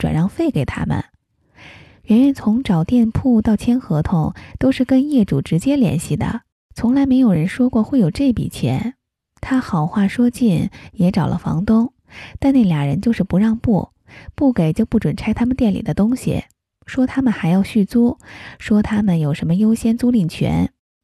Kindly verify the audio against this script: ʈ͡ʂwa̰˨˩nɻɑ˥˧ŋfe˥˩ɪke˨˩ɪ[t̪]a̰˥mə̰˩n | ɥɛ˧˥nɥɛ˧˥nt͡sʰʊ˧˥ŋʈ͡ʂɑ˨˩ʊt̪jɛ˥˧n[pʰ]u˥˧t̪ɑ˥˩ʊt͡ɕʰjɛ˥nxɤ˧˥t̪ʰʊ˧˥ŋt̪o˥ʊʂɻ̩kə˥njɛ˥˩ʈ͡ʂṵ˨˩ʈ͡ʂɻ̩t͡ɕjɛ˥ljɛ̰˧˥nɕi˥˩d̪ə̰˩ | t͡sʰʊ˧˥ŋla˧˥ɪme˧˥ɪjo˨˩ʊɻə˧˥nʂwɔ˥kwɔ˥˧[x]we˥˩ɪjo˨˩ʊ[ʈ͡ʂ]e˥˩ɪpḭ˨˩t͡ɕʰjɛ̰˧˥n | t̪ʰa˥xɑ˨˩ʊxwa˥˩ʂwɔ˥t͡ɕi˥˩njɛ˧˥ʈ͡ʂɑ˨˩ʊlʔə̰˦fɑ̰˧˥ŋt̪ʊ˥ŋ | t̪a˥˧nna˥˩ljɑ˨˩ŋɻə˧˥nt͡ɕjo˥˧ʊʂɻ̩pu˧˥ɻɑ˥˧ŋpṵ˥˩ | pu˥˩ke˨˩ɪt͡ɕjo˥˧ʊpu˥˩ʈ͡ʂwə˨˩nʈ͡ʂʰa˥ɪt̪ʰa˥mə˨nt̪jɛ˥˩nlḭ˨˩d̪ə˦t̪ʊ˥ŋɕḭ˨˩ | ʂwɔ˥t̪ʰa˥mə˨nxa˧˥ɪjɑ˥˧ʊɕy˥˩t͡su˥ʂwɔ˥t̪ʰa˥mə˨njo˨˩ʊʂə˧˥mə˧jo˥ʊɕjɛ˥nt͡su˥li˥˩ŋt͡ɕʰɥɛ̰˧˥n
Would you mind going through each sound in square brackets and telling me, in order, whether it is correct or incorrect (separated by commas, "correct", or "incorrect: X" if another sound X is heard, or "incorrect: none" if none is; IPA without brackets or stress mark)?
incorrect: t̪ʰ, correct, correct, correct